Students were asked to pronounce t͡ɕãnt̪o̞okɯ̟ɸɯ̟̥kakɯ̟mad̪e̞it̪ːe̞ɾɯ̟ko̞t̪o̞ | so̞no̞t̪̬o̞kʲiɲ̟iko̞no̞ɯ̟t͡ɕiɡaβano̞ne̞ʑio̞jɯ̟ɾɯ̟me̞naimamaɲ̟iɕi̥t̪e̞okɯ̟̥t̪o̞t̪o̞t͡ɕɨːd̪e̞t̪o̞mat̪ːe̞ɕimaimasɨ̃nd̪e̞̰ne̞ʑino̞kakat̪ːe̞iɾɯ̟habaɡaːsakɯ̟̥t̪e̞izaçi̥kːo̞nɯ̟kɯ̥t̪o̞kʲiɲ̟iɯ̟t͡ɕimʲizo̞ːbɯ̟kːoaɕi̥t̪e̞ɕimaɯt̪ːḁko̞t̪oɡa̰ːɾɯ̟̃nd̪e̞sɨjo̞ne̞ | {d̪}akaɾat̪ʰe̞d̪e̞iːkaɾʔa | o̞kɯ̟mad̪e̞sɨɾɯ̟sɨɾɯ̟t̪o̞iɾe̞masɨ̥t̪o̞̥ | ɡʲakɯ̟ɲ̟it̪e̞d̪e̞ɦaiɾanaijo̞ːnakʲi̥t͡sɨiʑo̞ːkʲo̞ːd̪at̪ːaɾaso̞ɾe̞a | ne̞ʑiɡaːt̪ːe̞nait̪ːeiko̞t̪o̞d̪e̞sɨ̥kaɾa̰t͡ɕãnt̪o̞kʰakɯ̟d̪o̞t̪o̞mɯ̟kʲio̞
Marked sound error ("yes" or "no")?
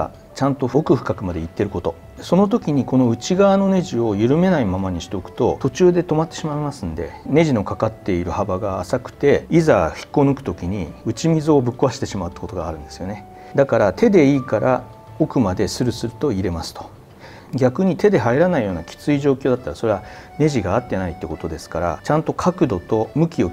no